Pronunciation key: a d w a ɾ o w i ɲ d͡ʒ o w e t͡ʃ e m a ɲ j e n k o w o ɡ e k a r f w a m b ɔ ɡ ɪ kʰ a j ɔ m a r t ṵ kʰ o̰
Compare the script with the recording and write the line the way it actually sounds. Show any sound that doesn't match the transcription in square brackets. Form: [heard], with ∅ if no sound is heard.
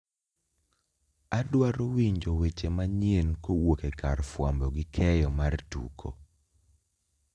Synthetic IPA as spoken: a d w a ɾ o w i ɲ d͡ʒ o w e t͡ʃ e m a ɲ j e n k o w o [k] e k a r f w a m b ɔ ɡ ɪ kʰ [ɛ] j ɔ m a r t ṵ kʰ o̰